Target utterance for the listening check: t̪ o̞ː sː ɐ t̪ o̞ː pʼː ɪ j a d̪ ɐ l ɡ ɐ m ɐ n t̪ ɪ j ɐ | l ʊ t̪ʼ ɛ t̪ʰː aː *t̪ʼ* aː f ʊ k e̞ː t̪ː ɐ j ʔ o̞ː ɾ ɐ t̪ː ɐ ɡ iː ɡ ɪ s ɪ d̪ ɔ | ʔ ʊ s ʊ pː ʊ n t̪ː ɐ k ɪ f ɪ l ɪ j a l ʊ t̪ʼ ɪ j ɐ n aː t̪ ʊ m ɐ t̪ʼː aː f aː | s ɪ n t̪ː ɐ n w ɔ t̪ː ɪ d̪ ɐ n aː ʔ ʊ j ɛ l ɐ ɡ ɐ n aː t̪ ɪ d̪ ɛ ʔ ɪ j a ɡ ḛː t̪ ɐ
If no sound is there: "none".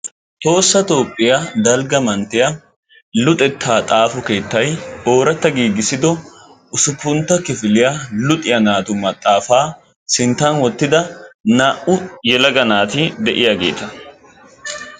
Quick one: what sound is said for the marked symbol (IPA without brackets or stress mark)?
t̪ʼ